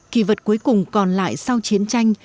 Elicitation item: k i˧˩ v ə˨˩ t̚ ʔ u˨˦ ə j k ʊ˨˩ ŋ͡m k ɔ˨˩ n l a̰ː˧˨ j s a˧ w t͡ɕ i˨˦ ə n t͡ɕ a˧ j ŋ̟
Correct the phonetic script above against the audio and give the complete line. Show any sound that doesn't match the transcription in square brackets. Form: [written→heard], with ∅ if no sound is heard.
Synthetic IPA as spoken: k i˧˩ v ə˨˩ t̚ [ʔ→k] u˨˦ ə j k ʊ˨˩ ŋ͡m k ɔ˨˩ n l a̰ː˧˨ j s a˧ w t͡ɕ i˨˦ ə n t͡ɕ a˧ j ŋ̟